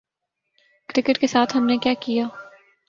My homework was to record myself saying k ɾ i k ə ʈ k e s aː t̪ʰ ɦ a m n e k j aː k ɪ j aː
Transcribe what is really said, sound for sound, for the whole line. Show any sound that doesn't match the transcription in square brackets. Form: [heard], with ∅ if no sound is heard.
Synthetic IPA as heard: k ɾ [ɪ] k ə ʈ k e s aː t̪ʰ ɦ [ɐ] m n e k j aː k [i] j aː